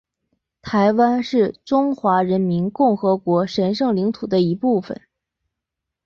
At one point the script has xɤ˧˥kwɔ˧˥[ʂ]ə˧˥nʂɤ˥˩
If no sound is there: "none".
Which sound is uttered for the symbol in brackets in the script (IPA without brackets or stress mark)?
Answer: ʂ